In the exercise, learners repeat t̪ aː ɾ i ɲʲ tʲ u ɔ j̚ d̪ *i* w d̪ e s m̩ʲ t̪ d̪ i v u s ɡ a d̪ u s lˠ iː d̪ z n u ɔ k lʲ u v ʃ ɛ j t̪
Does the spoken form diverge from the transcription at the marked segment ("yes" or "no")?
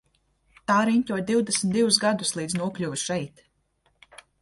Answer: no